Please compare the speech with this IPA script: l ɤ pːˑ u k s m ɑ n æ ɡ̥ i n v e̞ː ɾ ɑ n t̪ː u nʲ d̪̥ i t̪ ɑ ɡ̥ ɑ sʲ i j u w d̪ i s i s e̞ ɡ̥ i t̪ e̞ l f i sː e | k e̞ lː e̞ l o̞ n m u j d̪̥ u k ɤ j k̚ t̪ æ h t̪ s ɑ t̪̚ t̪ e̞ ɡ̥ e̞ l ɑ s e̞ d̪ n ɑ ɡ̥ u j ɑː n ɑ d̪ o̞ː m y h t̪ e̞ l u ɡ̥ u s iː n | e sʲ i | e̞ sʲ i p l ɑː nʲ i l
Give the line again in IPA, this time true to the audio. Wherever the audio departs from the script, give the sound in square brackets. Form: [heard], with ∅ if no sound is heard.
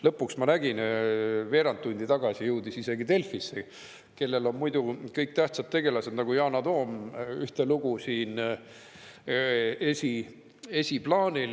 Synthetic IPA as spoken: l ɤ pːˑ u k s m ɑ n æ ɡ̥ i n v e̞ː ɾ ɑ n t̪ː u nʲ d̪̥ i t̪ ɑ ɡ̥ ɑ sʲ i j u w d̪ i s i s e̞ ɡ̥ i t̪ e̞ l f i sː e | k e̞ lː e̞ l o̞ n m u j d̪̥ u k ɤ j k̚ t̪ æ h t̪ s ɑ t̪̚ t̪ e̞ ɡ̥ e̞ l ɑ s e̞ d̪ n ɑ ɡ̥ u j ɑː n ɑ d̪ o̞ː m y h t̪ e̞ l u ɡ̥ u s iː n | e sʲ i | e̞ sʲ i p l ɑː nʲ i l